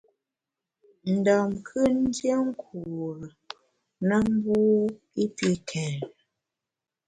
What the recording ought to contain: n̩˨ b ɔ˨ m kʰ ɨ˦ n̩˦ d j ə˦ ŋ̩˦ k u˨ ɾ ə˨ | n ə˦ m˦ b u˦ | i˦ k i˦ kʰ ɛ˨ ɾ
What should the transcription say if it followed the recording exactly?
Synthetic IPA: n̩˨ d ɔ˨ m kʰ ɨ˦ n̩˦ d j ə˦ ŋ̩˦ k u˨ ɾ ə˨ | n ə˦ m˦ b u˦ | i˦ p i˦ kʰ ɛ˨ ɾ